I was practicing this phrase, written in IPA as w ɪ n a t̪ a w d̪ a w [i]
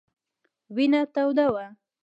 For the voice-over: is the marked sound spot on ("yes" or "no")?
no